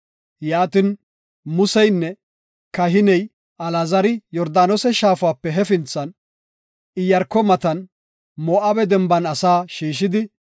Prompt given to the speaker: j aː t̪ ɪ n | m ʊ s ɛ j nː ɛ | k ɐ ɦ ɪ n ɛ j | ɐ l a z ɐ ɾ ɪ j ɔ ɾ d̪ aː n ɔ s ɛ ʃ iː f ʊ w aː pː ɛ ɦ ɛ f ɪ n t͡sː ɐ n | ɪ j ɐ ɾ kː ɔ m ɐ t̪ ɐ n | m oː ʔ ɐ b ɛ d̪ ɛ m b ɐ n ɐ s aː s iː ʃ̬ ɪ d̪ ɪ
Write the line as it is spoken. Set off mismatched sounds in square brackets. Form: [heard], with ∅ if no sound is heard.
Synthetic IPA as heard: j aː t̪ ɪ n | m ʊ s ɛ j nː ɛ | k ɐ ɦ ɪ n ɛ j | ɐ l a z ɐ ɾ ɪ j ɔ ɾ d̪ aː n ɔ s ɛ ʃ [aː] f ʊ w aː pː ɛ ɦ ɛ f ɪ n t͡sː ɐ n | ɪ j ɐ ɾ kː ɔ m ɐ t̪ ɐ n | m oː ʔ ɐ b ɛ d̪ ɛ m b ɐ n ɐ s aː [ʃ] iː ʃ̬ ɪ d̪ ɪ